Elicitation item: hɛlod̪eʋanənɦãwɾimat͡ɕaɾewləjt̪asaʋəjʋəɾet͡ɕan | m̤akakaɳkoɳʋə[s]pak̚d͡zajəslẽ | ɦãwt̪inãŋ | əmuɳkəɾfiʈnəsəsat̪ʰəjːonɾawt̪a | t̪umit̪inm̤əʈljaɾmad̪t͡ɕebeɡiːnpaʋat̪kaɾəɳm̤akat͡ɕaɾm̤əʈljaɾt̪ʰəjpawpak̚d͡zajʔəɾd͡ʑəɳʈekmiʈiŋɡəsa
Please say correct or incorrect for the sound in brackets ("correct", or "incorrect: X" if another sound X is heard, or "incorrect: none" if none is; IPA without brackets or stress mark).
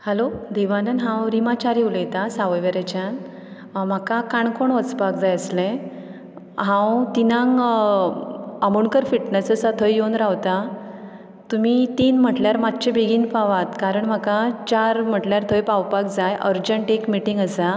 incorrect: t͡s